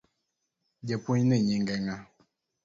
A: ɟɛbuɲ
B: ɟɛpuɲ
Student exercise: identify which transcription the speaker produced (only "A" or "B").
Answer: B